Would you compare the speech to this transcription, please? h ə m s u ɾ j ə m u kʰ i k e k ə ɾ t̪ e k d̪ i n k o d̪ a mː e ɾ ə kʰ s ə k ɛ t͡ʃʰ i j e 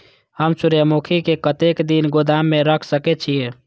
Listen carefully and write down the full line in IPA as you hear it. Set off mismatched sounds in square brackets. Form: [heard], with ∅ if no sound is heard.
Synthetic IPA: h ə m s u ɾ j ə m u kʰ i k e k ə [∅] t̪ e k d̪ i n [ɡ] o d̪ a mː e ɾ ə kʰ s ə k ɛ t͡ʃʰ i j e